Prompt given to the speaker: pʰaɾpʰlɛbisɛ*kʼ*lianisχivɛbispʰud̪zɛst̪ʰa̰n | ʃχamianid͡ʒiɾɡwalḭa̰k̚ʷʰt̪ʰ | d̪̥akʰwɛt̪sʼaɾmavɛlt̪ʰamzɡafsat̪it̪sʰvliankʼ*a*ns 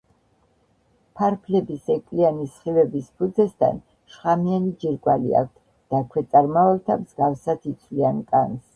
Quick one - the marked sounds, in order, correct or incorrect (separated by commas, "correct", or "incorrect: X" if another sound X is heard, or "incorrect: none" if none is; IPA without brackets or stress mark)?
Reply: correct, correct